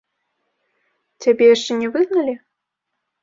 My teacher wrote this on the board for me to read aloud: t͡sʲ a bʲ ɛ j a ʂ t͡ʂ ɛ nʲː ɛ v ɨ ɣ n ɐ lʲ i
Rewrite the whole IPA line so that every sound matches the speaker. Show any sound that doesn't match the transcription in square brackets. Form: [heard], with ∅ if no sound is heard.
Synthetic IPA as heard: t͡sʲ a bʲ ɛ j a ʂ t͡ʂ ɛ [nʲ] ɛ v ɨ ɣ n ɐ lʲ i